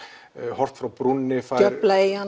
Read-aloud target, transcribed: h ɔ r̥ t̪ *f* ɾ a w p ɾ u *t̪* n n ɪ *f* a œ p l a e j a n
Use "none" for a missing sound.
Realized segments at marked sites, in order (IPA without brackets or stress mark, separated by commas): f, none, f